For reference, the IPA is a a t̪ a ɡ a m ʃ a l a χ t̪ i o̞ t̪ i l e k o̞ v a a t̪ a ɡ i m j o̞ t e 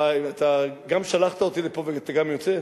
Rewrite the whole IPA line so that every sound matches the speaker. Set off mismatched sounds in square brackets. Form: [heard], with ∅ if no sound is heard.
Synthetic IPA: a a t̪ a ɡ a m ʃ a l a χ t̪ [a] o̞ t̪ i l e [p] o̞ v [e] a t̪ a ɡ [a] m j o̞ [t͡s] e

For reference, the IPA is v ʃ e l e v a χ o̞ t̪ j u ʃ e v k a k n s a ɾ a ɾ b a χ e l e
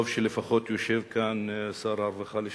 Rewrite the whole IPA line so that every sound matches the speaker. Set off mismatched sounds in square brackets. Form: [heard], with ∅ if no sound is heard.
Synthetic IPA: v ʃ e l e [f] a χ o̞ t̪ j [o] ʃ e v k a [∅] n s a ɾ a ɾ [v] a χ [a] l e

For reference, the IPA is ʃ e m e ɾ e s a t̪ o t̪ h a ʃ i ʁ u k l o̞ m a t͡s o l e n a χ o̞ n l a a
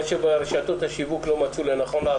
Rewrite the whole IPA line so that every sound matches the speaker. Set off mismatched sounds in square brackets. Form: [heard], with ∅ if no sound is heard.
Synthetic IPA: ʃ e [b] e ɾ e [ʃ] a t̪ o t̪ h a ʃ i [v] u k l o̞ m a t͡s [u] l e n a χ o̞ n l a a

